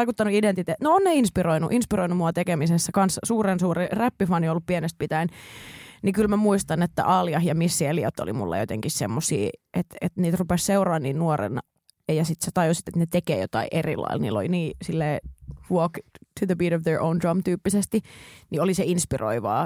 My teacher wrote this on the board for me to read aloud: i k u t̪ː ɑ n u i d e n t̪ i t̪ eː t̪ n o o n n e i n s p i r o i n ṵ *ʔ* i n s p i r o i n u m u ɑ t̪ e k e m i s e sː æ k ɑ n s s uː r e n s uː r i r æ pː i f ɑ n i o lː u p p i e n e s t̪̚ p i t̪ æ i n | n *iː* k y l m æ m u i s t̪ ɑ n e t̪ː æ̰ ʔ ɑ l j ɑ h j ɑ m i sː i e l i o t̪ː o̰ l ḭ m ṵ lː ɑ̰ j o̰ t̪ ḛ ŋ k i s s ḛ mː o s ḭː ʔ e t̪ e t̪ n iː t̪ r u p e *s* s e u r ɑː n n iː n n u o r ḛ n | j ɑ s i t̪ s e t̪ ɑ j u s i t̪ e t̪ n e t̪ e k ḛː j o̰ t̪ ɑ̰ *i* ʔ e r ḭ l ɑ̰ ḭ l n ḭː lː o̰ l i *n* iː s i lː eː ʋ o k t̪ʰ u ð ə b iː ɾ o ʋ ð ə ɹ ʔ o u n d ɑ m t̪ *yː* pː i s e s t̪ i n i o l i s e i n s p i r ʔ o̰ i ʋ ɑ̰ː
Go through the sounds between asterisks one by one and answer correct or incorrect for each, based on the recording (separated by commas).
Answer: correct, incorrect, correct, correct, correct, correct